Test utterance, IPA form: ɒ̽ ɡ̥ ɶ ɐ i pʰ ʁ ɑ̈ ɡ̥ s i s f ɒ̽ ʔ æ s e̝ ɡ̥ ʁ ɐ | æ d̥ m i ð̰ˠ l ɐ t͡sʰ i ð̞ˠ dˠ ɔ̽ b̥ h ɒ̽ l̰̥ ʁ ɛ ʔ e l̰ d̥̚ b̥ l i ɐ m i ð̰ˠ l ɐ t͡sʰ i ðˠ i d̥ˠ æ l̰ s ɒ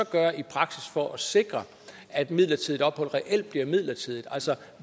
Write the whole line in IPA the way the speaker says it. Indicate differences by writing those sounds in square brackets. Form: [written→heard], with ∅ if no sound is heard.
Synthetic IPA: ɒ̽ ɡ̥ ɶ ɐ i pʰ ʁ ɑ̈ ɡ̥ s i s f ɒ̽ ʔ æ s e̝ ɡ̥ ʁ ɐ | æ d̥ m i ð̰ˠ l ɐ t͡sʰ i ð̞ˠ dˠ [ɔ̽→ɒ̽] b̥ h ɒ̽ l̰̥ ʁ ɛ ʔ e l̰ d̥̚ b̥ l i ɐ m i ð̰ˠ l ɐ t͡sʰ i ðˠ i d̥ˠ æ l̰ s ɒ